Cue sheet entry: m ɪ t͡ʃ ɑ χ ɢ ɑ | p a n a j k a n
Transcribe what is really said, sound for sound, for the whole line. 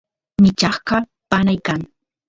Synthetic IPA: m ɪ t͡ʃ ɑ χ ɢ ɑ | p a n a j k a ŋ